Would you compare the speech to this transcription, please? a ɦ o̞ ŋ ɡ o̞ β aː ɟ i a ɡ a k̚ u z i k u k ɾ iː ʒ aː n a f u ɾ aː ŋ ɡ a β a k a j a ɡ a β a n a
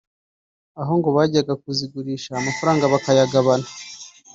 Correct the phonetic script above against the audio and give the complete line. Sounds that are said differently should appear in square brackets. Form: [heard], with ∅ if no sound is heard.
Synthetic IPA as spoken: a ɦ o̞ ŋ ɡ o̞ β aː ɟ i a ɡ a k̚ u z i [ɡ] u [∅] ɾ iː [ʃ] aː [m] a f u ɾ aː ŋ ɡ a β a k a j a ɡ a β a n a